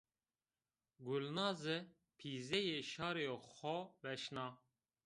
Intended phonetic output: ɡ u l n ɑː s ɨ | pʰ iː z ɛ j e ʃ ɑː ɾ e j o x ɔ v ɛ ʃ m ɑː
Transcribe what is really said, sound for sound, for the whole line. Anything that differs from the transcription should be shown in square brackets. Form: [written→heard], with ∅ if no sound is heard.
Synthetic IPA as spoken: ɡ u l n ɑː [s→z] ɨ | pʰ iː z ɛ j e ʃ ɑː ɾ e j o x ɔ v ɛ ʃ [m→n] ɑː